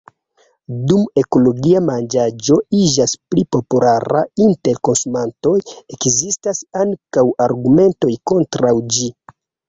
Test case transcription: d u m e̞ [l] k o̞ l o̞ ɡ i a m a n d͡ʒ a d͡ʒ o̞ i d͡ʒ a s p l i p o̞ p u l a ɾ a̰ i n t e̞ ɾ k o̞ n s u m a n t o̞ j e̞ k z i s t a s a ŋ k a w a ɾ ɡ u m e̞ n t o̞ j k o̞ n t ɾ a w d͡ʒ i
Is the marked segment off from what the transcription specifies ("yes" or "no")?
yes